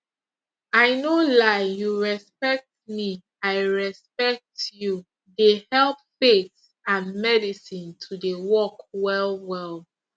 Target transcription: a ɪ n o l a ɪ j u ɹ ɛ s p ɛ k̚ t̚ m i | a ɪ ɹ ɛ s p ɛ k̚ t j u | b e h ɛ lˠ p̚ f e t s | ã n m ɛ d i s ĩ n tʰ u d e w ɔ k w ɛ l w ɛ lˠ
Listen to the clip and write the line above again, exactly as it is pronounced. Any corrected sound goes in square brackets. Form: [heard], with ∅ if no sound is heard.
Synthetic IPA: a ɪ n o l a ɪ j u ɹ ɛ s p ɛ k̚ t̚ m i | a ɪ ɹ ɛ s p ɛ k̚ t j u | [d] e h ɛ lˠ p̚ f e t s | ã n m ɛ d i s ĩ n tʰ u d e w ɔ k w ɛ l w ɛ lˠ